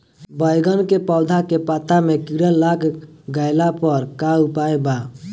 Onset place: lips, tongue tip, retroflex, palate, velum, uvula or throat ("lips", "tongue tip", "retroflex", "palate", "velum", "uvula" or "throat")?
lips